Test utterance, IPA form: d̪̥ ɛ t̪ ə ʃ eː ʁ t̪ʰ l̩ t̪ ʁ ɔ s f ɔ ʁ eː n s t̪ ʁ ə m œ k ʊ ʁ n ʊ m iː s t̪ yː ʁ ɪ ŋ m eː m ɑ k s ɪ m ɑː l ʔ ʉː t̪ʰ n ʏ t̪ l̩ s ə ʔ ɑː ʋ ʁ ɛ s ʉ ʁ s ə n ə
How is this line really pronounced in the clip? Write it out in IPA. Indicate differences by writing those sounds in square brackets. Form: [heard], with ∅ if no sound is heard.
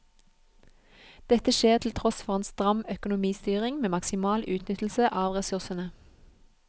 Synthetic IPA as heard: d̪̥ ɛ t̪ ə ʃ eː ʁ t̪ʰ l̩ [t̪ʰ] ʁ ɔ s f ɔ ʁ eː n s t̪ ʁ [ɑ] m œ k ʊ [∅] n ʊ m iː s t̪ yː ʁ ɪ ŋ m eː m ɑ k s ɪ m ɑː l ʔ ʉː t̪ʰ n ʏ t̪ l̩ s ə ʔ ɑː ʋ ʁ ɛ s ʉ ʁ s ə n ə

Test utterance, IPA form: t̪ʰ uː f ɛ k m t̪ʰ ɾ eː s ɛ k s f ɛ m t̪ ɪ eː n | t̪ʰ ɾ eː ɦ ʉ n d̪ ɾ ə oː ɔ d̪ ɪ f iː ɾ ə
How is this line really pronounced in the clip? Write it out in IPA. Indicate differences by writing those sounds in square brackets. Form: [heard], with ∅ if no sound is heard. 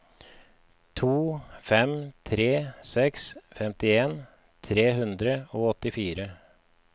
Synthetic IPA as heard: t̪ʰ uː f ɛ [∅] m t̪ʰ ɾ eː s ɛ k s f ɛ m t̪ ɪ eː n | t̪ʰ ɾ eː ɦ ʉ n d̪ ɾ ə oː ɔ [t̪] ɪ f iː ɾ ə

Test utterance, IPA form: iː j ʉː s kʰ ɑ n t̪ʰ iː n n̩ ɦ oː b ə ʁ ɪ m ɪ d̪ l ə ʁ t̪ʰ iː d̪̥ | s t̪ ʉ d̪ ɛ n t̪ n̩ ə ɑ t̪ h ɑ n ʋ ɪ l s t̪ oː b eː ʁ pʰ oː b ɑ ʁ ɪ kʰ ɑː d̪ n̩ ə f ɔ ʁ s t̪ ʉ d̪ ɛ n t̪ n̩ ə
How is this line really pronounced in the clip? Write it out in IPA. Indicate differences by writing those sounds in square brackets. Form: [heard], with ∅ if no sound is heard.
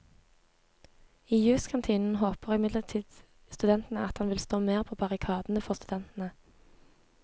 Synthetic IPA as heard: iː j ʉː s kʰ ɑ n t̪ʰ iː n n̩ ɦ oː [p] ə ʁ ɪ m ɪ d̪ l ə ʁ t̪ʰ iː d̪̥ | s t̪ ʉ d̪ ɛ n t̪ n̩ ə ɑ t̪ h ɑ n ʋ ɪ l s t̪ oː [m] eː ʁ pʰ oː b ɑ ʁ ɪ kʰ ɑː d̪ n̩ ə f ɔ ʁ s t̪ ʉ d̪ ɛ n t̪ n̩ ə

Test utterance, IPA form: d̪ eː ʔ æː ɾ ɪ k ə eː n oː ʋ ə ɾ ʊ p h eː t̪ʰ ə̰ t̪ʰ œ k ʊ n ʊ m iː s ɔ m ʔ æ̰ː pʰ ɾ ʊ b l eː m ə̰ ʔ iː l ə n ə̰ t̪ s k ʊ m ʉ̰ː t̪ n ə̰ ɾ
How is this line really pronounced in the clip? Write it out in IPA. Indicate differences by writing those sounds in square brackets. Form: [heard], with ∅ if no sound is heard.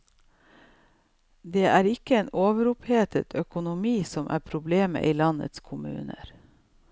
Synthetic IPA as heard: d̪ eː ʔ æː ɾ ɪ k ə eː n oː ʋ ə ɾ ʊ p h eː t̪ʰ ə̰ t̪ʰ œ k ʊ n ʊ m iː s ɔ m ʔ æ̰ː pʰ ɾ ʊ b l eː m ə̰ ʔ iː l [ɑ] n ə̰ t̪ s [kʰ] ʊ m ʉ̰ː [∅] n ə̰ ɾ

